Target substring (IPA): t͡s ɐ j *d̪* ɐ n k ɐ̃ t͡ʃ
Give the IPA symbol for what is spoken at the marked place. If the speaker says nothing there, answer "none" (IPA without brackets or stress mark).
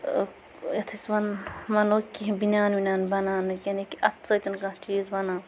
t̪